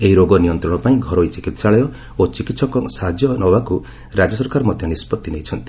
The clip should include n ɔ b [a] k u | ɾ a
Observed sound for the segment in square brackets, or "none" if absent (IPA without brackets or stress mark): a